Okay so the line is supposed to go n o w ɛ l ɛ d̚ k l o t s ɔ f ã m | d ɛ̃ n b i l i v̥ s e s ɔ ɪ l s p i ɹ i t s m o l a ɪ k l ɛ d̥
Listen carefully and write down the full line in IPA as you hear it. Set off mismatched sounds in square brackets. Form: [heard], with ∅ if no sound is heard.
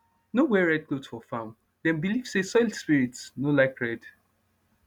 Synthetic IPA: n o w ɛ [ɹ] ɛ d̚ k l o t [f] ɔ f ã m | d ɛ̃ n b i l i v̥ s e s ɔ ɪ l s p i ɹ i t s [n] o l a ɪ k [ɹ] ɛ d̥